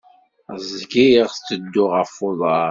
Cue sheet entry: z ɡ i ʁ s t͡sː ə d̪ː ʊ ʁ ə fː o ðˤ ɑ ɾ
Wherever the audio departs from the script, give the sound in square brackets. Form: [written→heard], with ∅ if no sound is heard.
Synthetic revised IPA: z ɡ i ʁ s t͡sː ə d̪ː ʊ ʁ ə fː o ðˤ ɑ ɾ